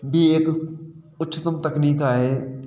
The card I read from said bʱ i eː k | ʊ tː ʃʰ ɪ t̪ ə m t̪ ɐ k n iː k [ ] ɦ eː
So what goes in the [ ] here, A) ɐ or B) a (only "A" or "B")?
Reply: B